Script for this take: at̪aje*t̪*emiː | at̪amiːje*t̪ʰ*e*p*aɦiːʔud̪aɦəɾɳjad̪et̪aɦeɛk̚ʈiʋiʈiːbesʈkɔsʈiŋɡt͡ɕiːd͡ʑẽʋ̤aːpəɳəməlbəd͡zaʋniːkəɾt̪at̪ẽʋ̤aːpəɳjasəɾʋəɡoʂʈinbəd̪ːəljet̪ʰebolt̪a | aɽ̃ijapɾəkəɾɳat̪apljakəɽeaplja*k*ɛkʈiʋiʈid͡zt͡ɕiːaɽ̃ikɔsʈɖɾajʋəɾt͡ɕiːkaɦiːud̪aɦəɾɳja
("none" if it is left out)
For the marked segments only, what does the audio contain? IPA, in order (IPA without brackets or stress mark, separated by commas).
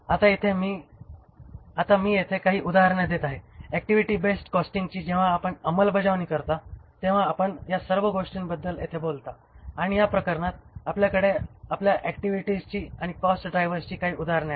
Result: t̪ʰ, t̪ʰ, k, ʔ